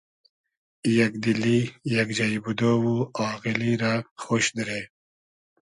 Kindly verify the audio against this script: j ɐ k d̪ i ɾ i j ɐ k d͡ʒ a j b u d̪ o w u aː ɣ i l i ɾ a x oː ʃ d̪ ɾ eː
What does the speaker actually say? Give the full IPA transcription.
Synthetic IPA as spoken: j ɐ k d̪ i l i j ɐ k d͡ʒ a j b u d̪ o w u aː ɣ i l i ɾ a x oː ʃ d̪ ɾ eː